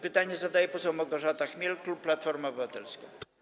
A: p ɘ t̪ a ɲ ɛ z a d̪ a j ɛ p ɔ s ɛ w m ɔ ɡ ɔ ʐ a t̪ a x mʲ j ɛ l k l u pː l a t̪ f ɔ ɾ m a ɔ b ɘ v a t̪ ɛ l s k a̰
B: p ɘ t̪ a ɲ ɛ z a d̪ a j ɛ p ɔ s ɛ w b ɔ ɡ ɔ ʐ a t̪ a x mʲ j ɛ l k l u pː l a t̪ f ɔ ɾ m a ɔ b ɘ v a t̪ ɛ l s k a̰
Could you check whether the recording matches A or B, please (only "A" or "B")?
A